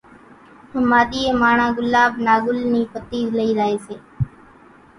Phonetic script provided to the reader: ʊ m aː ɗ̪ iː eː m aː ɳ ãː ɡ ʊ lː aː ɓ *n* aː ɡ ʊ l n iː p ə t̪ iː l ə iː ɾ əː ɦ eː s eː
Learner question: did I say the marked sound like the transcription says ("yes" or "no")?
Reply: yes